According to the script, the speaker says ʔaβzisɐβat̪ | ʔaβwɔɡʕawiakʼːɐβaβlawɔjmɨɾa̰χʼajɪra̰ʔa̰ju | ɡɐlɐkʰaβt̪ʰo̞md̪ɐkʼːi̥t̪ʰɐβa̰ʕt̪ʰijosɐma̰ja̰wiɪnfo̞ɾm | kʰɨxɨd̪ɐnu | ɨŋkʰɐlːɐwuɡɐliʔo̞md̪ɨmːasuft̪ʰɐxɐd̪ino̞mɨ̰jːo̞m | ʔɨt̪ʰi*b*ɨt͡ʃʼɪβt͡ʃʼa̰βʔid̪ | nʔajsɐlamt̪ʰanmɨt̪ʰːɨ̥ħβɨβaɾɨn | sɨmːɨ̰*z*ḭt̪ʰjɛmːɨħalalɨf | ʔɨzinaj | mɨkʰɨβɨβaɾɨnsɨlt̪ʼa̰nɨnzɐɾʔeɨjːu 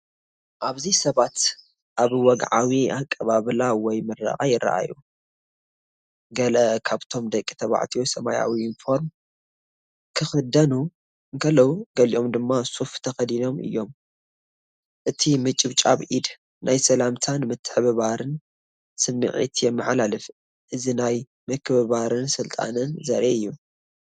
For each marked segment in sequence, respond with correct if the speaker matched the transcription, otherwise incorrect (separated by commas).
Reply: incorrect, incorrect